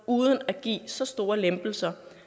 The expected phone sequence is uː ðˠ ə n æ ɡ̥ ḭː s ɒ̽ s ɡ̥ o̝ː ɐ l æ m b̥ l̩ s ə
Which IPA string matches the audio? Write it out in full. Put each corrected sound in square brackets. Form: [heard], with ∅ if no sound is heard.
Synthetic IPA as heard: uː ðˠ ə n æ ɡ̥ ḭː s ɒ̽ s [d̥] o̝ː ɐ l [e] m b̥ l̩ s [ɐ]